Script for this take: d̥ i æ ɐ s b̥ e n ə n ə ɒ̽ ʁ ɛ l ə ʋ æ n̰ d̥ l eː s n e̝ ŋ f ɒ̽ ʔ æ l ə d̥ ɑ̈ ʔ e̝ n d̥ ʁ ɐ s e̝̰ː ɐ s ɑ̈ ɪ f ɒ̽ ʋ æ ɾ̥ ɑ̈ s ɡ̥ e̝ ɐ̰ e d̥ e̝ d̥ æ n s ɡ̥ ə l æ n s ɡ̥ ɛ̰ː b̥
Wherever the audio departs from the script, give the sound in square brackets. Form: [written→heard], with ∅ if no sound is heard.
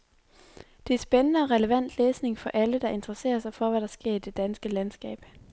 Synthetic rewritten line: d̥ [i→e] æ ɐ s b̥ e n ə n ə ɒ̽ ʁ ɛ l ə ʋ æ n̰ d̥ l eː s n e̝ ŋ f ɒ̽ ʔ æ l ə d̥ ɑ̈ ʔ e̝ n d̥ ʁ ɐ s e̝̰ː ɐ s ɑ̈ ɪ f ɒ̽ ʋ æ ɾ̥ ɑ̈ s ɡ̥ e̝ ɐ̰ [e→i] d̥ e̝ d̥ æ n s ɡ̥ ə l æ n s ɡ̥ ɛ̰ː b̥